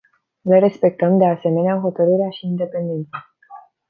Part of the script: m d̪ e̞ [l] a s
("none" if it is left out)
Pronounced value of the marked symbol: none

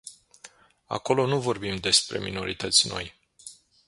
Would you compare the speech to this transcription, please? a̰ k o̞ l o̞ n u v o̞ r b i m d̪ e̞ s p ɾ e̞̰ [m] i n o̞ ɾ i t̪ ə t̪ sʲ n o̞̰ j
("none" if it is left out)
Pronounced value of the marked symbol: m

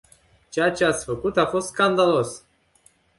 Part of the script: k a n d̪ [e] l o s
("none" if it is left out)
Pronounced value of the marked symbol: a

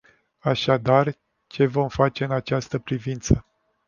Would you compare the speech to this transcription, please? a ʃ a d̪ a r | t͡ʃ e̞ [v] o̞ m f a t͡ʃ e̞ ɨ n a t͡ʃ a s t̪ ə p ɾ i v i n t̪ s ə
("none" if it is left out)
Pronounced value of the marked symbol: v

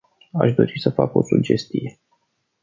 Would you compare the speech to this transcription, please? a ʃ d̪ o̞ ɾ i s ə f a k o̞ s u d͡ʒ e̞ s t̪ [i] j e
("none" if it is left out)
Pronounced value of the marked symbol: i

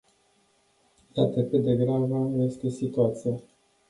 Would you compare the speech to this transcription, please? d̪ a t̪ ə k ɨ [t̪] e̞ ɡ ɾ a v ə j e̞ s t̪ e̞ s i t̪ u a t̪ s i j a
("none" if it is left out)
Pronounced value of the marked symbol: d̪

